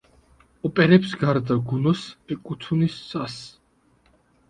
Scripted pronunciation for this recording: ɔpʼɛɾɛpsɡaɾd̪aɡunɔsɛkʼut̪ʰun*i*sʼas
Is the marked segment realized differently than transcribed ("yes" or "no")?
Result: no